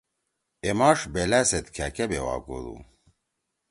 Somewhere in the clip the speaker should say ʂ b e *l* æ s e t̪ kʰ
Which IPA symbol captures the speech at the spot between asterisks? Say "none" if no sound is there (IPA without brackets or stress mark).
l